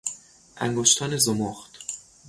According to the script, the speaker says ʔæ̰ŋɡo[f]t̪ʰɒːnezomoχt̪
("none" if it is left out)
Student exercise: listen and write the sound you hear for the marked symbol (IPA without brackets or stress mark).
ʃ